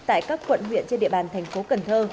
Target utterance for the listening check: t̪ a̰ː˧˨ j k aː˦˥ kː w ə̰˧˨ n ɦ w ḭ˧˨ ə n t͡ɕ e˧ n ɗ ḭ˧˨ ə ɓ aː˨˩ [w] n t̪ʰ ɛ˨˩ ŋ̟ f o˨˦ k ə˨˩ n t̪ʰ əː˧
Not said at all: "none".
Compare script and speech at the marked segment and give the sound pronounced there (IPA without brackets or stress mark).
none